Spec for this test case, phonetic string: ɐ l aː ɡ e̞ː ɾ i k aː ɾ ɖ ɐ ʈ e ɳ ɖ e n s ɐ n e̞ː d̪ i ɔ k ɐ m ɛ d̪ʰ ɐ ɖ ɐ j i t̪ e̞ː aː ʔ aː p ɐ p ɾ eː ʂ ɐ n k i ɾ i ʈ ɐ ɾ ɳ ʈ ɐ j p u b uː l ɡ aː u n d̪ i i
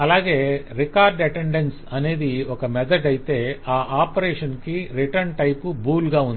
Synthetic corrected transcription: ɐ l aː ɡ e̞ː ɾ i k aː ɾ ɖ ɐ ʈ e ɳ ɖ e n s ɐ n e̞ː d̪ i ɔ k ɐ m ɛ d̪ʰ ɐ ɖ ɐ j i t̪ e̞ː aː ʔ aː p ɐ ɾ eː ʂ ɐ n k i ɾ i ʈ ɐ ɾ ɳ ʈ ɐ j p u b uː l ɡ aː u n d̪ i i

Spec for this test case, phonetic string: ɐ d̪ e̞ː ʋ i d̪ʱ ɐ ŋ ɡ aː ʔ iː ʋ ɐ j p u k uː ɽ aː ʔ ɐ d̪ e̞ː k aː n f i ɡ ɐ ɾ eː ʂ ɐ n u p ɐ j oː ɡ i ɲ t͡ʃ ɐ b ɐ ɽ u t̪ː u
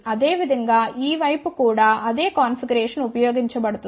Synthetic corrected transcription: ɐ d̪ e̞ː ʋ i d̪ʱ ɐ ŋ ɡ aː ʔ iː ʋ ɐ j p u k uː ɽ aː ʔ ɐ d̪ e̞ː k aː n f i ɡ ɐ ɾ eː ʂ ɐ n u p ɐ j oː ɡ i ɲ t͡ʃ ɐ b ɐ ɽ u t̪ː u

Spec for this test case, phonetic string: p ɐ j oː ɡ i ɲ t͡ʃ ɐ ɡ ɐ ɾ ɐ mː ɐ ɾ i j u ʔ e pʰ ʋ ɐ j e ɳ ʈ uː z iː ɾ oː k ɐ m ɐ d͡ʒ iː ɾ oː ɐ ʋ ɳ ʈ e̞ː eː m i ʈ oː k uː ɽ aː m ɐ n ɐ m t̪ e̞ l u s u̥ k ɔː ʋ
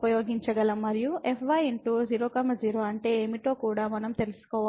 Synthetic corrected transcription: p ɐ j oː ɡ i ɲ t͡ʃ ɐ ɡ ɐ l ɐ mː ɐ ɾ i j u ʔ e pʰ ʋ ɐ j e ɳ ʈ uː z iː ɾ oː k ɐ m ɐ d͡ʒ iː ɾ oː ɐ ɳ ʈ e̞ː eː m i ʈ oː k uː ɽ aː m ɐ n ɐ m t̪ e̞ l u s u̥ k ɔː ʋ

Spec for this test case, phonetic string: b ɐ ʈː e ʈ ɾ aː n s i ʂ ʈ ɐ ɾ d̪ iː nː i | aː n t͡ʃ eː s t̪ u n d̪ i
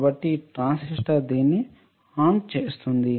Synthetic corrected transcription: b ɐ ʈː i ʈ ɾ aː n s i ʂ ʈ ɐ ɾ d̪ iː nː i | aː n t͡ʃ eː s t̪ u n d̪ i

